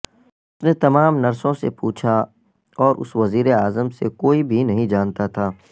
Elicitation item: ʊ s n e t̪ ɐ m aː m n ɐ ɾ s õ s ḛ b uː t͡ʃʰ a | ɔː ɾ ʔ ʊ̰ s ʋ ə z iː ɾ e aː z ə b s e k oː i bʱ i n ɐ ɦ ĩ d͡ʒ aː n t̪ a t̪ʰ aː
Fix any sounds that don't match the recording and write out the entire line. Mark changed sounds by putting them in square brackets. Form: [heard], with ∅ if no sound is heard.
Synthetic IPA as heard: ʊ s n e t̪ ɐ m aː m n ɐ ɾ s õ s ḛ [p] uː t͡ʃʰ a | ɔː ɾ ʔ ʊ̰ s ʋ [ɐ] z iː ɾ e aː z ə [m] s e k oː i bʱ i n ɐ ɦ ĩ d͡ʒ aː n t̪ a t̪ʰ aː